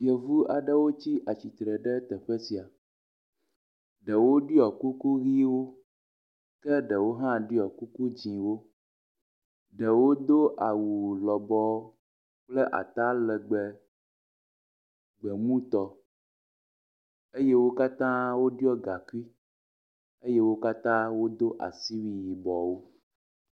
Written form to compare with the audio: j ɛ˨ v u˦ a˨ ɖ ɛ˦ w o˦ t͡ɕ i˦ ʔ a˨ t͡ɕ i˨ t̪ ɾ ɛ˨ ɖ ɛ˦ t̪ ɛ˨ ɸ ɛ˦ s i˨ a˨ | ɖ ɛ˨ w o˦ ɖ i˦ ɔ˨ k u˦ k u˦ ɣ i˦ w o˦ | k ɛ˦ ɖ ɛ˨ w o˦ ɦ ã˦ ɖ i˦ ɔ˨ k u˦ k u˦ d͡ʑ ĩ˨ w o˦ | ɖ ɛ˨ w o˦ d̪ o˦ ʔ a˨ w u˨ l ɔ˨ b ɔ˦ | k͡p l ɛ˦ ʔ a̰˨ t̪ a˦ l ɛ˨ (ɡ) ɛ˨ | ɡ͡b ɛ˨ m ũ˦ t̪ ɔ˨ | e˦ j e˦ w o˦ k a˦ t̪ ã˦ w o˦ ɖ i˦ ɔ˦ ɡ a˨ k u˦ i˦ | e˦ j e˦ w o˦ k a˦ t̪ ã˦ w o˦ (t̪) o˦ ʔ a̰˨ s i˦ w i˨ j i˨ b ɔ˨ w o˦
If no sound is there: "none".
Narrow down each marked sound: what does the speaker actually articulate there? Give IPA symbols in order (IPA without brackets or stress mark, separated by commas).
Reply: ɡ͡b, d̪